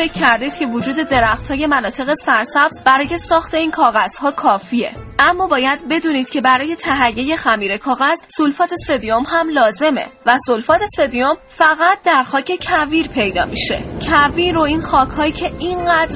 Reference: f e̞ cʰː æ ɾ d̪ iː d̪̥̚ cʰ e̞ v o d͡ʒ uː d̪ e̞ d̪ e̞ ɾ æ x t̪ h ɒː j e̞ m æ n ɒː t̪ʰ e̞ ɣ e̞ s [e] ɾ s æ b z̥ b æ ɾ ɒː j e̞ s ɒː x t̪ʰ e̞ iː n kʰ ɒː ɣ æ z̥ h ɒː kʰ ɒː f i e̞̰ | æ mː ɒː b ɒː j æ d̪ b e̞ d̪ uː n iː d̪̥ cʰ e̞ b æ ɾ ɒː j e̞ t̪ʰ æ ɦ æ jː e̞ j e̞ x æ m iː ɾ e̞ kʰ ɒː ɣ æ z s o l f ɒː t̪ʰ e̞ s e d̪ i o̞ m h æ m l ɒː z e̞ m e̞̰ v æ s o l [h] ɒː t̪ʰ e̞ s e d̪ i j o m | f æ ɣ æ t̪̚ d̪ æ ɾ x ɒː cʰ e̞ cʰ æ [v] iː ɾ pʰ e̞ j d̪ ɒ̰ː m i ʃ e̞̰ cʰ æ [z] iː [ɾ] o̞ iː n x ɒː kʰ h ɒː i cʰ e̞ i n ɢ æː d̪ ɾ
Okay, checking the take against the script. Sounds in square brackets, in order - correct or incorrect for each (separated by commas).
incorrect, incorrect, correct, incorrect, correct